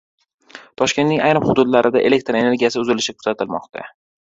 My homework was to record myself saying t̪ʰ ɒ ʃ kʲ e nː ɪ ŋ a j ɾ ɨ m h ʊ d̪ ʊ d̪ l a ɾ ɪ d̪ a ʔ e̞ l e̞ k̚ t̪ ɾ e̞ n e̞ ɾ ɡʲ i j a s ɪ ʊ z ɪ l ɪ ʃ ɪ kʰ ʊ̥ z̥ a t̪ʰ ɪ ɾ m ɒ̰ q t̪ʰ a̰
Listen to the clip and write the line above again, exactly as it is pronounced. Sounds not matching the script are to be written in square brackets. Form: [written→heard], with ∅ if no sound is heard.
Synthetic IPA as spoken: t̪ʰ ɒ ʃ kʲ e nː ɪ ŋ a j ɾ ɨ m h ʊ d̪ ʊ d̪ l a ɾ ɪ d̪ a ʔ e̞ l e̞ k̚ t̪ ɾ e̞ n e̞ ɾ ɡʲ i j a s ɪ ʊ z ɪ l ɪ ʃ ɪ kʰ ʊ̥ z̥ a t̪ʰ ɪ [ɾ→l] m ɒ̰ q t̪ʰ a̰